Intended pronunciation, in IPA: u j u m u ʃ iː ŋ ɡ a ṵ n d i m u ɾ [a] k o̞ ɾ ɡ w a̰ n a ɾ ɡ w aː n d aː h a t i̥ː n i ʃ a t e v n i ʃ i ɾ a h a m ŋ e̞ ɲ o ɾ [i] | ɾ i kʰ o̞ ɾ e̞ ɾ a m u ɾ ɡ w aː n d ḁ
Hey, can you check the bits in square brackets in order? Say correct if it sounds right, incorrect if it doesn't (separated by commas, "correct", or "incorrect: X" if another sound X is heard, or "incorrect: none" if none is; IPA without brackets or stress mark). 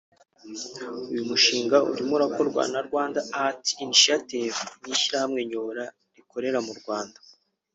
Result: correct, incorrect: a